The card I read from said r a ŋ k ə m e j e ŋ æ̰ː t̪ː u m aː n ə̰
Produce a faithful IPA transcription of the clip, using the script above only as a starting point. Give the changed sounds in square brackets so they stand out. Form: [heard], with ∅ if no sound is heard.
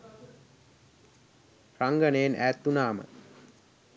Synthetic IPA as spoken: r a ŋ [ɡ] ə [n] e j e [n] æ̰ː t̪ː u [n] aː [m] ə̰